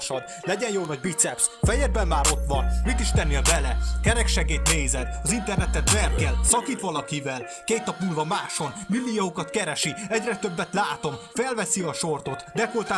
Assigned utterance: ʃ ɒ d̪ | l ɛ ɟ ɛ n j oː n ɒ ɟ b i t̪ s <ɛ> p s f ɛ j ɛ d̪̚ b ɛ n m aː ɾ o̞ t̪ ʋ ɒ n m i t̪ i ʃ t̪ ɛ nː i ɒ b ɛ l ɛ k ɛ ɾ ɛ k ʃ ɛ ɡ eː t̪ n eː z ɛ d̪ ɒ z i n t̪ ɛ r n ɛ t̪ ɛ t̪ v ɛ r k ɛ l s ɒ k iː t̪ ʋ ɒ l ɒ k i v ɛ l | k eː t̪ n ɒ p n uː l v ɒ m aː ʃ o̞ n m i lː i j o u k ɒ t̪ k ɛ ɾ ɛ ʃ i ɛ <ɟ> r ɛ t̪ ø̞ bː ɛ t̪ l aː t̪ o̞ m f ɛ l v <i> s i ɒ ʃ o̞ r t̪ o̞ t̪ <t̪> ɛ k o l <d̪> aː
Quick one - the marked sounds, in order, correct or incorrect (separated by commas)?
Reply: correct, correct, incorrect, incorrect, incorrect